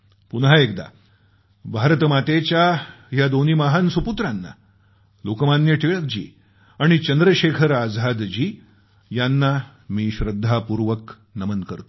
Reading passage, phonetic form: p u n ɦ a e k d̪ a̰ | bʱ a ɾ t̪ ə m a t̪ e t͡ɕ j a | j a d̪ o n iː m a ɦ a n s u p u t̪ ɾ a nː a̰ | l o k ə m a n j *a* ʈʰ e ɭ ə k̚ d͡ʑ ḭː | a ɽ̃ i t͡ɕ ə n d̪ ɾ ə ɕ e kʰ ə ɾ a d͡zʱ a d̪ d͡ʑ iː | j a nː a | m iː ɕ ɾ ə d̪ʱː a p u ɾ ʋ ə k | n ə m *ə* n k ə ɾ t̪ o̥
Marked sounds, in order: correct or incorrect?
incorrect: ə, correct

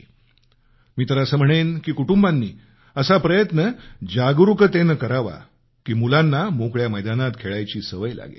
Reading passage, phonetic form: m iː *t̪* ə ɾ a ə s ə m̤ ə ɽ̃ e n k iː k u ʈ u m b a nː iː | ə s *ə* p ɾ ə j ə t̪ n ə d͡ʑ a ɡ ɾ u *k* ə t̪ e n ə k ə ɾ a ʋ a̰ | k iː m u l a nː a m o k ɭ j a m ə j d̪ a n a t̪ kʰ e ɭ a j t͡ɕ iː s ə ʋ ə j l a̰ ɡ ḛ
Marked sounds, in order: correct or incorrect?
correct, incorrect: a, correct

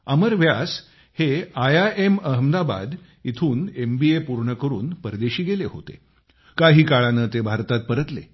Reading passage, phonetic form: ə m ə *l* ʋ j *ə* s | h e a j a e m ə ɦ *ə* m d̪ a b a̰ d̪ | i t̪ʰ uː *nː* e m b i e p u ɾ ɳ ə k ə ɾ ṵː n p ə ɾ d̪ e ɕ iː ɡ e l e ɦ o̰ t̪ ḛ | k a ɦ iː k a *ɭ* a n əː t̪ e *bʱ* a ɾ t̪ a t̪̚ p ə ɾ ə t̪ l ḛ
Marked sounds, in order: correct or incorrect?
incorrect: ɾ, incorrect: a, correct, incorrect: n, correct, correct

